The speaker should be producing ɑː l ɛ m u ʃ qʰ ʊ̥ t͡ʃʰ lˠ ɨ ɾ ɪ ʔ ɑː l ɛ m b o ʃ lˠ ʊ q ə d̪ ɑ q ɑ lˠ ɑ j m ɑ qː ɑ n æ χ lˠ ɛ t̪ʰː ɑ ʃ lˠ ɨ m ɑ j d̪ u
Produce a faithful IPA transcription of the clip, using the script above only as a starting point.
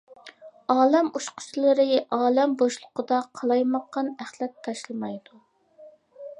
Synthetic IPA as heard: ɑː l ɛ m u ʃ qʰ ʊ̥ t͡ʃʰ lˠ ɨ ɾ ɪ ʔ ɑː l ɛ m b o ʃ lˠ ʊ q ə d̪ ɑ qʰ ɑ lˠ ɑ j m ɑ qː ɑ n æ χ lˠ ɛ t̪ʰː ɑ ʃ lˠ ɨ m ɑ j d̪ u